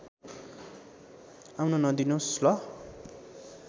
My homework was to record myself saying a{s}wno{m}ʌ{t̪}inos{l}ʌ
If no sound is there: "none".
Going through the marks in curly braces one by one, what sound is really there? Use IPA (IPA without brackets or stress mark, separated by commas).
none, n, d̪, l